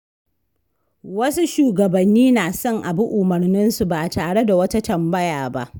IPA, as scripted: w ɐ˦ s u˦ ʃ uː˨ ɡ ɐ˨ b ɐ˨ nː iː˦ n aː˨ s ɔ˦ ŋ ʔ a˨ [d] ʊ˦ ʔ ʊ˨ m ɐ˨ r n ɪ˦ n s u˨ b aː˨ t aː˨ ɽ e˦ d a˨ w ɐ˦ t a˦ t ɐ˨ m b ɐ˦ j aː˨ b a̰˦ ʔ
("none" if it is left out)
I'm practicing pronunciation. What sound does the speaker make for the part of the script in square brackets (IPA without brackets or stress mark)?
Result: b